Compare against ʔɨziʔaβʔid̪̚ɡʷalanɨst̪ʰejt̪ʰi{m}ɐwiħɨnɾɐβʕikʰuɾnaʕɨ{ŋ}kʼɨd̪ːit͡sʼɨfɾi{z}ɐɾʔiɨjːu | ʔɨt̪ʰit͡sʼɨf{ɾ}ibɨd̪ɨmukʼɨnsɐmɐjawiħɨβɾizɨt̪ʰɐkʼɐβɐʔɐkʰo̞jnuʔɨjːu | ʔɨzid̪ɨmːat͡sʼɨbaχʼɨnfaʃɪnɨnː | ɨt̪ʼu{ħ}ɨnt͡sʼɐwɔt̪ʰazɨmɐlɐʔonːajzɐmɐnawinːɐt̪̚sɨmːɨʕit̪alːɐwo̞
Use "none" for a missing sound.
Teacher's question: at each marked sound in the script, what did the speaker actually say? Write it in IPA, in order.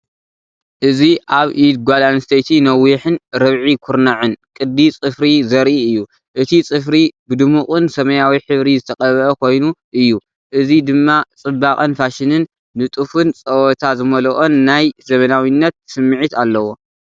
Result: n, n, z, ɾ, f

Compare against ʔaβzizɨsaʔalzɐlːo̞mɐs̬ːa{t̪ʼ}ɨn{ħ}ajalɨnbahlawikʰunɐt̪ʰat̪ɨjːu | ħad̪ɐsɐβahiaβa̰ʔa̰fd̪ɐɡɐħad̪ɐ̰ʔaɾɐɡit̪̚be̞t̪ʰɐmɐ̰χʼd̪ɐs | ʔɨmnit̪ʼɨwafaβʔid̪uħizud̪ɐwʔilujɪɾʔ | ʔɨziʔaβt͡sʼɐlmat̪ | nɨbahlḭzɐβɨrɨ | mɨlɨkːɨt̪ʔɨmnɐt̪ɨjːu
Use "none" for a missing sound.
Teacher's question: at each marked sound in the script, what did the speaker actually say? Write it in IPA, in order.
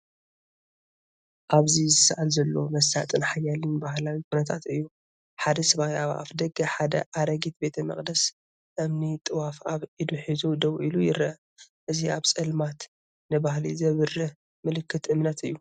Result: t̪ʼ, ħ

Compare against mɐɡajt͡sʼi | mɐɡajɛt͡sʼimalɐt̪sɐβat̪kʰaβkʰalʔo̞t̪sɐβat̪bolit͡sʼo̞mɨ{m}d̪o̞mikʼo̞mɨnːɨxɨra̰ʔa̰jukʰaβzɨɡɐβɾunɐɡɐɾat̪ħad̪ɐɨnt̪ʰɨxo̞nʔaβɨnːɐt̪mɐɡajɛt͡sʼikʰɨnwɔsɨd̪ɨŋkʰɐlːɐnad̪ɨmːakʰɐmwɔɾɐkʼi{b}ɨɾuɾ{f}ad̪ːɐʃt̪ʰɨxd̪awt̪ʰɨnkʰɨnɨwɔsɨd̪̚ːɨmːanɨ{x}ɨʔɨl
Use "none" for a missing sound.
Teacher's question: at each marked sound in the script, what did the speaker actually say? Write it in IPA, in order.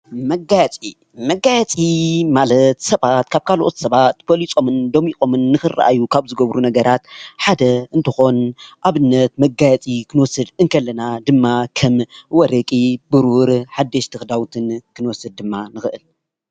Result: n, b, ħ, x

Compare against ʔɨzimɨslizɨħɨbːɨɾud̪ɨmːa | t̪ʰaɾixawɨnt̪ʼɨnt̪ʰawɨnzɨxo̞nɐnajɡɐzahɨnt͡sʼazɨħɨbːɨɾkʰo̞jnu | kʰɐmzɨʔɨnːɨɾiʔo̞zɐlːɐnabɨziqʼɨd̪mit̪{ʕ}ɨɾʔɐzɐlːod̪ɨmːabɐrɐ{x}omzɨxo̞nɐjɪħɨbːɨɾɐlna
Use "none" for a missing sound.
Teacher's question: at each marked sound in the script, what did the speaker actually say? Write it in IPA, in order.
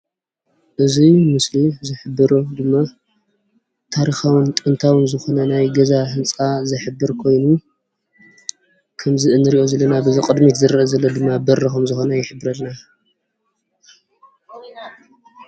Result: z, x

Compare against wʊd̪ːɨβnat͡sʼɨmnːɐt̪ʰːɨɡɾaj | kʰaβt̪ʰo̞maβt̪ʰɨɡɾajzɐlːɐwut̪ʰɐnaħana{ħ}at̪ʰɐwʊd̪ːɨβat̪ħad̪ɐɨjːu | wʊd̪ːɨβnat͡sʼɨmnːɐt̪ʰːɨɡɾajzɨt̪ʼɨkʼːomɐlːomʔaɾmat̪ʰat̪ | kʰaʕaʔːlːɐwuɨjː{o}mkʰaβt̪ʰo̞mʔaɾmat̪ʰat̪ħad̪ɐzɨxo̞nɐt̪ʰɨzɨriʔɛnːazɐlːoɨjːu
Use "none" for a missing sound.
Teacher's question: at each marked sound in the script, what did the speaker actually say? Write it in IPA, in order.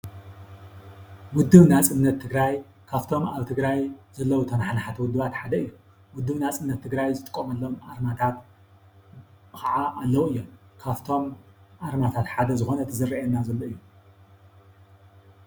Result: ħ, o

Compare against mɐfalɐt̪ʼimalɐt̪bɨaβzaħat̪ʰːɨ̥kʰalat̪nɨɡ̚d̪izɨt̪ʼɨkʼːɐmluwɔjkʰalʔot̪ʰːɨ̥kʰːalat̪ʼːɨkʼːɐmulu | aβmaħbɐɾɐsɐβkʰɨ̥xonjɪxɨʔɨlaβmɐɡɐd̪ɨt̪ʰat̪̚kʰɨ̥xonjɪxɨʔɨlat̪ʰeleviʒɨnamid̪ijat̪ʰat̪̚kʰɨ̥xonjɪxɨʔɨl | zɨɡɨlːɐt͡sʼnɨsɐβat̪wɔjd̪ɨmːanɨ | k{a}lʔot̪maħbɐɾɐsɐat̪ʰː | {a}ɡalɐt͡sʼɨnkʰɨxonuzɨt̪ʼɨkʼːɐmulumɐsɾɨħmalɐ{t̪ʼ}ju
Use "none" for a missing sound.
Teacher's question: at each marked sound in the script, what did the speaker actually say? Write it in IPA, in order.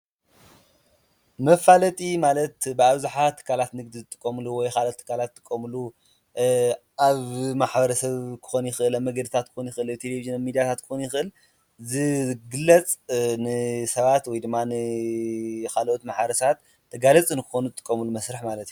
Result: a, ɐ, t̪

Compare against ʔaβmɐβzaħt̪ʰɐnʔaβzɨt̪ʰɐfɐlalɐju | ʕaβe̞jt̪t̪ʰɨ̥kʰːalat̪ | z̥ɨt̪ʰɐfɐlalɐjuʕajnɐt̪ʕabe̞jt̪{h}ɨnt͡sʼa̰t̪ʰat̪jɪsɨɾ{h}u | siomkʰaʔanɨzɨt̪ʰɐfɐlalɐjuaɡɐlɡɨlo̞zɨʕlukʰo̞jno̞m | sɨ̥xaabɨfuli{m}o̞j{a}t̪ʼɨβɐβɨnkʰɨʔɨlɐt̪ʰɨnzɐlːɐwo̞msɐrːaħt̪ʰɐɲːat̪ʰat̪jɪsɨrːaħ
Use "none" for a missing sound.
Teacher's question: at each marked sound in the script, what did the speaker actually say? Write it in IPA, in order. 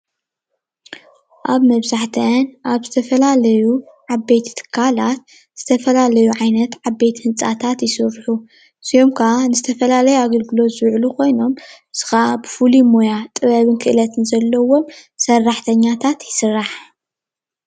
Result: h, ħ, m, a

